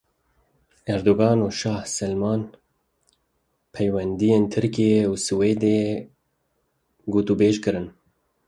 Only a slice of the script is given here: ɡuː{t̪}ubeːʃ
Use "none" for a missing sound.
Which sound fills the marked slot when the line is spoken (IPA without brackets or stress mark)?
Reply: t̪